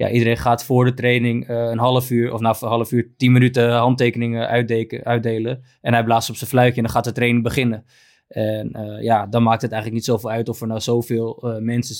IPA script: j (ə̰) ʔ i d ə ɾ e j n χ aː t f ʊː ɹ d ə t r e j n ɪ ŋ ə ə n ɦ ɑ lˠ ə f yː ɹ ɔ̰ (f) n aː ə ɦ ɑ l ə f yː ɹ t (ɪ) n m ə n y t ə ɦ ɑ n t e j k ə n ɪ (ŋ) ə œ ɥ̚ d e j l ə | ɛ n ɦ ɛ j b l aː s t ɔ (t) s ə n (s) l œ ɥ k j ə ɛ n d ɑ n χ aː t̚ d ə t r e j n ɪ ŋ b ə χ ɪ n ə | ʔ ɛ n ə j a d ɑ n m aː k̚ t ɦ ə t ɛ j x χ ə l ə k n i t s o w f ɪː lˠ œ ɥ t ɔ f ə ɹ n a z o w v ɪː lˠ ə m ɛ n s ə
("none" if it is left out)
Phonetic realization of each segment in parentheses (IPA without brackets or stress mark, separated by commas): a̰, f, i, ŋ, p, f